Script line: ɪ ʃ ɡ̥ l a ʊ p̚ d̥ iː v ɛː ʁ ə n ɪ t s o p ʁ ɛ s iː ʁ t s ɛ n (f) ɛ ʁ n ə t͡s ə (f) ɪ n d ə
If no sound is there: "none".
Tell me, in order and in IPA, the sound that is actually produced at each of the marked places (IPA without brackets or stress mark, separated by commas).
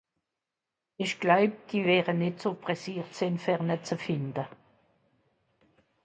f, f